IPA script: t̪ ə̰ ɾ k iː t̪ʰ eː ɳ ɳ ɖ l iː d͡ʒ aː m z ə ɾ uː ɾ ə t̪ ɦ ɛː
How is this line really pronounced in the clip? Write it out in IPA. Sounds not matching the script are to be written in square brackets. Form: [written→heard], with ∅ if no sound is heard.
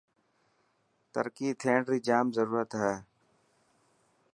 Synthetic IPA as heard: t̪ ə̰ ɾ k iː t̪ʰ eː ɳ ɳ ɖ [l→ɾ] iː d͡ʒ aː m z ə ɾ uː ɾ ə t̪ ɦ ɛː